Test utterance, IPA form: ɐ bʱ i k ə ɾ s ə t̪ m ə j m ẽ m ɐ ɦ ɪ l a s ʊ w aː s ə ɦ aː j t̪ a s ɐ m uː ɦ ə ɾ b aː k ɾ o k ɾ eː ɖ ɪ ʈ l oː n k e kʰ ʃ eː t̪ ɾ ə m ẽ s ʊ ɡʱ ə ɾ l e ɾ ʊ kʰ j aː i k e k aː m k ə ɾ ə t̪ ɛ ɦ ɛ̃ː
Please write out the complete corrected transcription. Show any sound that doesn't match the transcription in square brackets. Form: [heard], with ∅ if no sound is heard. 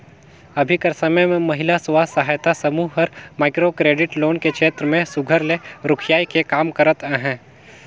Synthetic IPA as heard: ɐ bʱ i k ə ɾ s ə [∅] m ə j m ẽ m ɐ ɦ ɪ l a s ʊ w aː s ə ɦ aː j t̪ a s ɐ m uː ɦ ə ɾ [m] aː k ɾ o k ɾ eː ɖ ɪ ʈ l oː n k e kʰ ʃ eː t̪ ɾ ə m ẽ s ʊ ɡʱ ə ɾ l e ɾ ʊ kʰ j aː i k e k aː m k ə ɾ ə t̪ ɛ ɦ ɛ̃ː